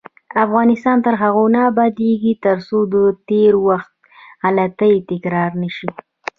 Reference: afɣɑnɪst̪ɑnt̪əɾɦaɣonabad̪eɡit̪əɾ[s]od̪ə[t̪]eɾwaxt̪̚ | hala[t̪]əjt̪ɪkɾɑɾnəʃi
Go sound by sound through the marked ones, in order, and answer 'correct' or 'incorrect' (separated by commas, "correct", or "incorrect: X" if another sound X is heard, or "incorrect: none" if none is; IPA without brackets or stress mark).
correct, correct, correct